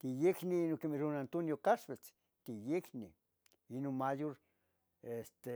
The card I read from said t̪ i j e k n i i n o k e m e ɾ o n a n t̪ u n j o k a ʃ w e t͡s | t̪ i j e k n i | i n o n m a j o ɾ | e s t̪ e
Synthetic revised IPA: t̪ i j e k n i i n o k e m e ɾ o n a n t̪ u n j o k a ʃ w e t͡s | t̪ i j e k n i | i n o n m a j o ɾ | e s t̪ e